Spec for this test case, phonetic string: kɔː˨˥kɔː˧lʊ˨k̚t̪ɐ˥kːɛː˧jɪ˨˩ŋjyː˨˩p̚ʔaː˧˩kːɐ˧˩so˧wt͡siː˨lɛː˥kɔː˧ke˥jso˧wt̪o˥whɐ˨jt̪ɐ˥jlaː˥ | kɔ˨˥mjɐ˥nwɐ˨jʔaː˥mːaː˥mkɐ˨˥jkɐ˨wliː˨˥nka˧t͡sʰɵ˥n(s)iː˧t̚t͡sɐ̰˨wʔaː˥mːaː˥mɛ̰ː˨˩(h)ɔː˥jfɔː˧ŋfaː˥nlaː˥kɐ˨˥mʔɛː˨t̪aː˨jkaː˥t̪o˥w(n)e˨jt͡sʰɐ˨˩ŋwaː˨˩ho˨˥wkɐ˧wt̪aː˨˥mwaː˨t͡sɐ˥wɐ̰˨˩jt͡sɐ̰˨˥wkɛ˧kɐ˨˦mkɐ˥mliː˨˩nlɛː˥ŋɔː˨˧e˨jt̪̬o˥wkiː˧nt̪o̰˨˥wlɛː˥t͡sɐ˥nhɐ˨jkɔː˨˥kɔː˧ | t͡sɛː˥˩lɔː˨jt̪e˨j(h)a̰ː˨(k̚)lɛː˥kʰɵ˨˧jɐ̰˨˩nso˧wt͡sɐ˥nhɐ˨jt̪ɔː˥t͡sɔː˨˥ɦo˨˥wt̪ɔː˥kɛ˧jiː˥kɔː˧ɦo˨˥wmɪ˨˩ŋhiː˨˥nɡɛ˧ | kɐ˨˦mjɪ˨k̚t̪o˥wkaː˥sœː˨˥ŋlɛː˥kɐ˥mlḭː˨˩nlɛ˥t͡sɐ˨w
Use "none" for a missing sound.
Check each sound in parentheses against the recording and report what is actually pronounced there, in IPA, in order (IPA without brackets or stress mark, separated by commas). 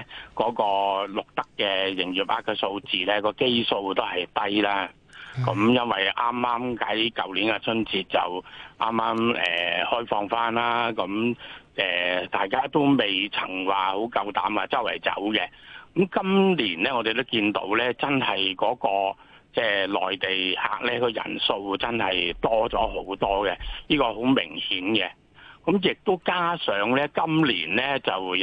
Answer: t͡s, h, m, h, k̚